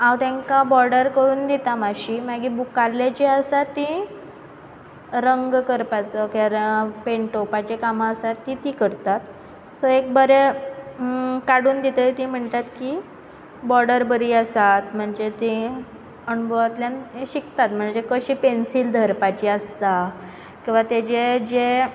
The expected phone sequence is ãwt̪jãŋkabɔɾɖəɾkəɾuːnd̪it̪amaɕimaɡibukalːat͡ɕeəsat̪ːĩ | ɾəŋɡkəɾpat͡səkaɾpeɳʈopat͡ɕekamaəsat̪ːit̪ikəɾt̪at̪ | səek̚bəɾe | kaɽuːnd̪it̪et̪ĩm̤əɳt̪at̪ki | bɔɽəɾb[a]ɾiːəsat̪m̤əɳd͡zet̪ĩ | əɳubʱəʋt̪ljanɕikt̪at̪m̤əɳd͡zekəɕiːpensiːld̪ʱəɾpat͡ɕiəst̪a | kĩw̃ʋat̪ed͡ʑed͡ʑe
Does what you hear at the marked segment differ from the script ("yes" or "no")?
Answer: yes